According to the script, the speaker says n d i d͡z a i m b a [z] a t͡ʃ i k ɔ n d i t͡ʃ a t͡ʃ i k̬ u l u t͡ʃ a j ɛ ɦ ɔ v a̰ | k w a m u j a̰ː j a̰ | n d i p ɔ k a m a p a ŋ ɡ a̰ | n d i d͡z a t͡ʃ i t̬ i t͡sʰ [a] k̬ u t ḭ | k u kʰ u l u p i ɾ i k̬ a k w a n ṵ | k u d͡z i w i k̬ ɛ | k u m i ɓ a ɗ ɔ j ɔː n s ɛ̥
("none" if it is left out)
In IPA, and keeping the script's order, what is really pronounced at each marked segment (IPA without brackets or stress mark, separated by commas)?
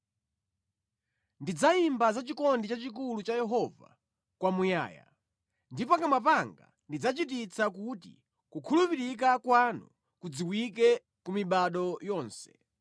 z, a